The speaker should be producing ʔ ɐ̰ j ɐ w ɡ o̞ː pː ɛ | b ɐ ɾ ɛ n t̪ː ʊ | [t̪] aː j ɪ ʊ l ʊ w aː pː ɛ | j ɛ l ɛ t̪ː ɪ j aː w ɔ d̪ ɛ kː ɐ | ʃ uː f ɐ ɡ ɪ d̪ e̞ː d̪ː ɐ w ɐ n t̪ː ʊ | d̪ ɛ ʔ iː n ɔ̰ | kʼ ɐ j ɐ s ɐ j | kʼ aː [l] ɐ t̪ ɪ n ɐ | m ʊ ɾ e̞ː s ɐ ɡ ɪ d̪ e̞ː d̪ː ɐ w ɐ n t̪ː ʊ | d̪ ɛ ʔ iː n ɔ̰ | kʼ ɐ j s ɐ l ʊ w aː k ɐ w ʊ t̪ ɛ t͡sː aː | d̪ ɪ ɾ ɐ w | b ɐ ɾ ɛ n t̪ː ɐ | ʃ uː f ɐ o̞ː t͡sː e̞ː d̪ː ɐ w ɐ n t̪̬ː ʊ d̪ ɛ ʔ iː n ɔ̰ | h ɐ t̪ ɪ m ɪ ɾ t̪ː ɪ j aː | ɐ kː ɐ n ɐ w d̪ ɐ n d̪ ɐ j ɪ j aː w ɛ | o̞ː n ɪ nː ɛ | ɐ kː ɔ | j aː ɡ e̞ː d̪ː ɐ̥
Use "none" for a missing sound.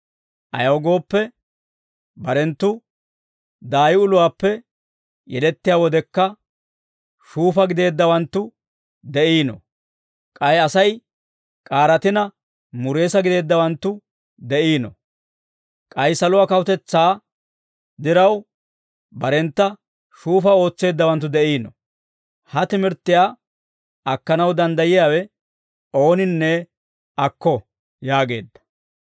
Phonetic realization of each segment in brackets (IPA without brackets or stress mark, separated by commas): d̪, ɾ